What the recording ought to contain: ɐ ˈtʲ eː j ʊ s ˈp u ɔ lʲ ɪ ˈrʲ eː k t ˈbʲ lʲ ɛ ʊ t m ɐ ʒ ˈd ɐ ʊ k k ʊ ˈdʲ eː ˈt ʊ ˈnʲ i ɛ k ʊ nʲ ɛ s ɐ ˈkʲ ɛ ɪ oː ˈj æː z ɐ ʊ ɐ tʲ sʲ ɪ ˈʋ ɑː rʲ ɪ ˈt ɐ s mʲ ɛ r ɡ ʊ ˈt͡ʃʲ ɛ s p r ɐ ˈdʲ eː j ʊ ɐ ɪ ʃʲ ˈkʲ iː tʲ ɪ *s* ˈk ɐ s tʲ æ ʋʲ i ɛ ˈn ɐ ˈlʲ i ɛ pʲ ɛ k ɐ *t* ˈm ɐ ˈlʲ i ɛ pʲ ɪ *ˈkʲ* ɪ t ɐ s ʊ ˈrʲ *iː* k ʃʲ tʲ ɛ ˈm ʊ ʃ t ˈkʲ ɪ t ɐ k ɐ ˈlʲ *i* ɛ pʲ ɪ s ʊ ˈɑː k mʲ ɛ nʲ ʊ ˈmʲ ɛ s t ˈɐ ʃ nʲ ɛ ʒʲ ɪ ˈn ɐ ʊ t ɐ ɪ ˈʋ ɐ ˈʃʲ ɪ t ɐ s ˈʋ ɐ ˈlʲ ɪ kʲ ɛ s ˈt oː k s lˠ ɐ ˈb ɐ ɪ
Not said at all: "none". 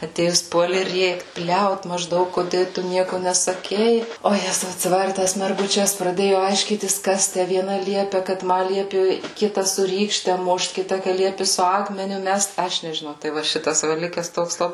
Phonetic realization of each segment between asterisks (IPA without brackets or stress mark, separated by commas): s, t, kʲ, iː, i